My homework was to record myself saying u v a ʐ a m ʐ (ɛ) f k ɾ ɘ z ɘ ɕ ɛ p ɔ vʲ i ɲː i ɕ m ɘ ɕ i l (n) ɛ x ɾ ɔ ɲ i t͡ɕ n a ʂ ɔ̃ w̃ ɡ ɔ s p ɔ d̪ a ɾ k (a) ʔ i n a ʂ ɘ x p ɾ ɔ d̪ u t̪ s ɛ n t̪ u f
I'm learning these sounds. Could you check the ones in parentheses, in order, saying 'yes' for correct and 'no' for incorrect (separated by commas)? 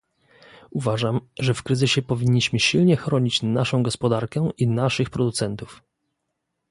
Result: yes, no, no